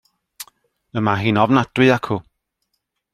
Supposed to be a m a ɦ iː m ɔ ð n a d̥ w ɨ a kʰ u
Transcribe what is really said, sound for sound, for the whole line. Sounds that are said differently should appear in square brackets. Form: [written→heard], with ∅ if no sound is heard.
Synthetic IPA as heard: [a→ə] m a ɦ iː [m→n] ɔ [ð→v] n a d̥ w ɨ a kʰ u